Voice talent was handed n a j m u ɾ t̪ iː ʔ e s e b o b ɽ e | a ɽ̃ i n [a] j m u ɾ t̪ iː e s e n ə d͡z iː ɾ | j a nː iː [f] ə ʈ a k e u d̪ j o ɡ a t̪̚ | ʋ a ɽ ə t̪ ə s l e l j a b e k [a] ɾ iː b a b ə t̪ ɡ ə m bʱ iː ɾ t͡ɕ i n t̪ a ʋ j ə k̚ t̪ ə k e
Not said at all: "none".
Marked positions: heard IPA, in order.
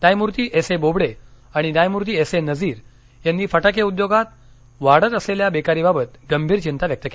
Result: a, f, a

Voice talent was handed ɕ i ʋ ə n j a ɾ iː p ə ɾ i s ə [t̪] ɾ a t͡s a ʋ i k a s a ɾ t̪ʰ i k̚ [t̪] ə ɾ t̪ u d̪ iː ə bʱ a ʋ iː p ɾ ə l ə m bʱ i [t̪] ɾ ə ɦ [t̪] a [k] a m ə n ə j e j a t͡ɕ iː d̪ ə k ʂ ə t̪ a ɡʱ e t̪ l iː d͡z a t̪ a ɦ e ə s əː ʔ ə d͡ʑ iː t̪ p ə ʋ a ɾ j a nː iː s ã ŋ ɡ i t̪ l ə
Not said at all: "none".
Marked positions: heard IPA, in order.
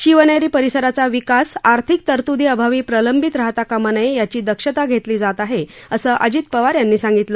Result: none, t̪, t̪, t̪, k

